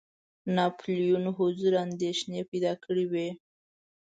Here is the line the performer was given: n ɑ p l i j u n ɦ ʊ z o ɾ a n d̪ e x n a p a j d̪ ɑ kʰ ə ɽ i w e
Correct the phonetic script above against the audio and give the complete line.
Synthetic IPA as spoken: n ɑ p l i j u n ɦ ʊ z u ɾ a n d̪ e ʃ n e p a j d̪ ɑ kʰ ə ɽ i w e